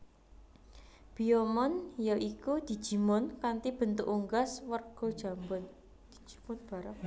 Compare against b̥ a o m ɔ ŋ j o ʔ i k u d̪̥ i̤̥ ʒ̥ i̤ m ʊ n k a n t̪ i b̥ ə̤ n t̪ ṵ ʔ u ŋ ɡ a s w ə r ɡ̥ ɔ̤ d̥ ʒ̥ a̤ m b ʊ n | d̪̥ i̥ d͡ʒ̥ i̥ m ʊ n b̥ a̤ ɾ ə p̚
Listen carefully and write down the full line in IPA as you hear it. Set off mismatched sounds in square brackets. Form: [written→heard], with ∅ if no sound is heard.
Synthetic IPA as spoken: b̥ [a→i] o m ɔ [ŋ→n] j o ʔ i k u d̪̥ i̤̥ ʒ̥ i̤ m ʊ n k a n t̪ i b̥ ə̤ n t̪ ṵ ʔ u ŋ ɡ a s w ə r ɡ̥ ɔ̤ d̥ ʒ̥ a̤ m b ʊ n | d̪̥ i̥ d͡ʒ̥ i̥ m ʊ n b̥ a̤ ɾ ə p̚